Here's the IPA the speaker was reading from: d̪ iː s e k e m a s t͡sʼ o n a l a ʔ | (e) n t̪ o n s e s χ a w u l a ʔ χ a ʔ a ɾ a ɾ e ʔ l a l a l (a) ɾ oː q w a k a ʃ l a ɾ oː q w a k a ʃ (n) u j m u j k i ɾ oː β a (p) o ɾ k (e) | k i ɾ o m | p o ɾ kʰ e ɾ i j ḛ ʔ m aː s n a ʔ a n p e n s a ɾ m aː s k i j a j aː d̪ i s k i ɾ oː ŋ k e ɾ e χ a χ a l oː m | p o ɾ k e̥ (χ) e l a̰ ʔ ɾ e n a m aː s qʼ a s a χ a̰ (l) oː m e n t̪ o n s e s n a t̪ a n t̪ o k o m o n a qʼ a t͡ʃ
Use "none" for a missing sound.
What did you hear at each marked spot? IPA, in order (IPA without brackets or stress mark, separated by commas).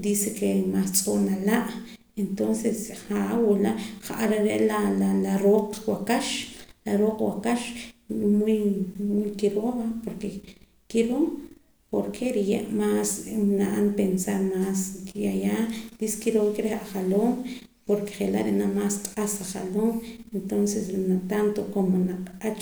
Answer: e, a, m, p, e, χ, l